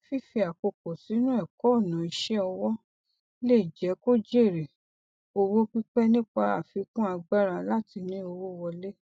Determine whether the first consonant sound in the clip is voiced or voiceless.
voiceless